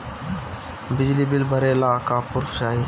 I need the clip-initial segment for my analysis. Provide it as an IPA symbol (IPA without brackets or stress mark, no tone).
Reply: b